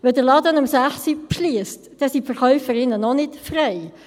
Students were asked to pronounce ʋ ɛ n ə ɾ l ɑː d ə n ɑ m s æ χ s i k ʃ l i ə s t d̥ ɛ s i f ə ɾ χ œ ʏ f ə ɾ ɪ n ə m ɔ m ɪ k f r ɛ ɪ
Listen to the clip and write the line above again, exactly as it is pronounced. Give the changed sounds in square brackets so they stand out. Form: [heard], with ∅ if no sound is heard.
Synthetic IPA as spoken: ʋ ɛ [d] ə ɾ l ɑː d ə n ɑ m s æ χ s i [p] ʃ l i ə s t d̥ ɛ s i f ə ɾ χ œ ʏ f ə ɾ ɪ n ə [n] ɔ [n] ɪ [t] f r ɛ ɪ